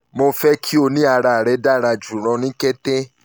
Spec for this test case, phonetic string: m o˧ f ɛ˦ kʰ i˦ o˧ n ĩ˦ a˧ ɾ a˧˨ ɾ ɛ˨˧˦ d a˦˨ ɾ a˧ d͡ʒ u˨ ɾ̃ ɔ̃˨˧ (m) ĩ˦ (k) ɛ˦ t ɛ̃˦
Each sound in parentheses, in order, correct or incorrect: incorrect: n, correct

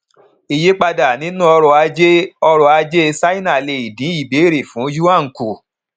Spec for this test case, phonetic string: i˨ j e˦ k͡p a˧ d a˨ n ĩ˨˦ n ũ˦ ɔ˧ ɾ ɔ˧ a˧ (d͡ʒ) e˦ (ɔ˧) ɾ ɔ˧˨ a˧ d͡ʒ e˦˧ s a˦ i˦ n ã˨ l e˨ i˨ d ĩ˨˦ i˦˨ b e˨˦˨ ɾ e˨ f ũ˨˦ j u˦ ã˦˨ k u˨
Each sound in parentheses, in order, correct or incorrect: correct, correct

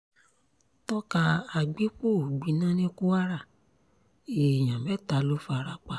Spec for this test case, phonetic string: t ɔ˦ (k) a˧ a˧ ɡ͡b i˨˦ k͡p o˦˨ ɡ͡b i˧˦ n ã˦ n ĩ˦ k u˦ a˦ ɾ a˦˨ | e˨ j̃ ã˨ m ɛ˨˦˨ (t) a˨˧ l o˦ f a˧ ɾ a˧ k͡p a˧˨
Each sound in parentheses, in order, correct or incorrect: correct, correct

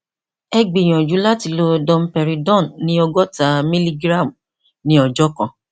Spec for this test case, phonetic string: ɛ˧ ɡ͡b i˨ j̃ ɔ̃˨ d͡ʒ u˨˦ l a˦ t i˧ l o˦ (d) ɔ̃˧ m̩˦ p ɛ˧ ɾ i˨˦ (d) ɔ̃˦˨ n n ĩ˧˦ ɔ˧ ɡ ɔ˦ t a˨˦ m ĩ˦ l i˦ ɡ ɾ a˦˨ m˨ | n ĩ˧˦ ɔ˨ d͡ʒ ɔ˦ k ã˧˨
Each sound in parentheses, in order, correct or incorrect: correct, correct

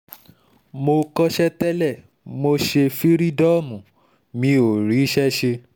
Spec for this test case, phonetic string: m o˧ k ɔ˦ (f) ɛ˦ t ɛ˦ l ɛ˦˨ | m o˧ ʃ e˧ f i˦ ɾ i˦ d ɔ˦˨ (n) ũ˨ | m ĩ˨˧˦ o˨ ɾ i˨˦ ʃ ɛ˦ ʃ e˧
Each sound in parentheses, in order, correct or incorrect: incorrect: ʃ, incorrect: m

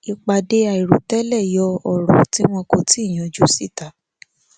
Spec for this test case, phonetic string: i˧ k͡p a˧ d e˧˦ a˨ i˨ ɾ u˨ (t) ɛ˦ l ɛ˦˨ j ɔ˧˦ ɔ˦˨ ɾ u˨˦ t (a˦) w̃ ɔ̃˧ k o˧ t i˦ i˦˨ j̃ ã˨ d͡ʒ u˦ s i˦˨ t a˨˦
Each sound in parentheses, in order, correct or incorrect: correct, incorrect: i˦

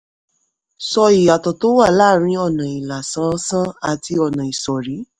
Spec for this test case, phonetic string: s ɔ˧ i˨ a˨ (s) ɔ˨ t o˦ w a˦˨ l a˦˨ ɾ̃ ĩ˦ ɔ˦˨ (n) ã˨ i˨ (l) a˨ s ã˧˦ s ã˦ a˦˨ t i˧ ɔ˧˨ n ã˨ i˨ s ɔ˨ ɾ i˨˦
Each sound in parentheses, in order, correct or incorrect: incorrect: t, correct, correct

